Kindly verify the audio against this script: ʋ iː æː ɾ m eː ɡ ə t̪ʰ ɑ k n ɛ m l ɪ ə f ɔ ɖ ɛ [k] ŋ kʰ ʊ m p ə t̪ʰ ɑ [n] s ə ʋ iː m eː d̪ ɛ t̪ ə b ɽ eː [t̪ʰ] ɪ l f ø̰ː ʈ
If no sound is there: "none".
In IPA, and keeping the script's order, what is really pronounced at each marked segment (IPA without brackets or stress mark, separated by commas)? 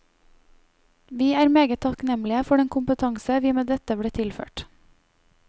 none, ŋ, t̪ʰ